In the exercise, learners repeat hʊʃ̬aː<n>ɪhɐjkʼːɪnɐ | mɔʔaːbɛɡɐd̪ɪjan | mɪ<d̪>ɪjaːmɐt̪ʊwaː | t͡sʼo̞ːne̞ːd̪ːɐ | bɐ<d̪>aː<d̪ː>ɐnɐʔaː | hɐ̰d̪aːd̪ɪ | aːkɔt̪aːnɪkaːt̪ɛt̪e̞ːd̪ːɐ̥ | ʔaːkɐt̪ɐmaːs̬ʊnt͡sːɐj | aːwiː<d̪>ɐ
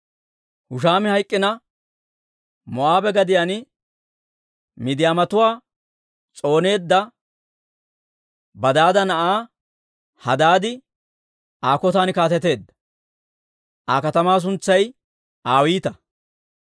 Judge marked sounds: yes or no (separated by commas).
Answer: no, yes, yes, no, no